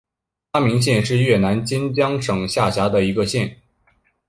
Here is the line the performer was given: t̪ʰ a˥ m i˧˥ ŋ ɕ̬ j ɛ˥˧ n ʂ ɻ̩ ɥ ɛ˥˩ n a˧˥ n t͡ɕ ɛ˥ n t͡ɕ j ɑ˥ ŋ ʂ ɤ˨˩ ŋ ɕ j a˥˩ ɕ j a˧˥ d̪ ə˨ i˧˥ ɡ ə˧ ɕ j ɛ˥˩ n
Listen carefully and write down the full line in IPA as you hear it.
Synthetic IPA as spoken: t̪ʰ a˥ m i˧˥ ŋ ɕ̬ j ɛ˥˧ n ʂ ɻ̩ ɥ ɛ˥˩ n a˧˥ n t͡ɕ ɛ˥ n t͡ɕ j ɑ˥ ŋ ʂ ɤ˨˩ ŋ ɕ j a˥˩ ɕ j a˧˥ d̪ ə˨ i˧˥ ɡ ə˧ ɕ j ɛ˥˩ n